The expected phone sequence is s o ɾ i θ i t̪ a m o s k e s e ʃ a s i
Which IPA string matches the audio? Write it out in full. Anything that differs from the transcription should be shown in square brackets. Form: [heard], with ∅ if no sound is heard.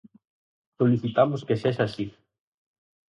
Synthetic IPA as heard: s o [l] i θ i t̪ a m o s k e s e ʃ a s i